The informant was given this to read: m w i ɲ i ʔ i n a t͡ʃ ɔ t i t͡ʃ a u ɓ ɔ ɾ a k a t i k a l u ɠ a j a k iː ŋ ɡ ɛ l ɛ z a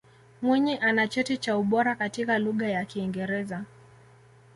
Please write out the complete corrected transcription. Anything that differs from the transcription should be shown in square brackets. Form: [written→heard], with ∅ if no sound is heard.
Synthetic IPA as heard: m w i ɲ i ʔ [i→a] n a t͡ʃ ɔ t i t͡ʃ a u ɓ ɔ ɾ a k a t i k a l u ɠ a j a k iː ŋ ɡ ɛ [l→ɾ] ɛ z a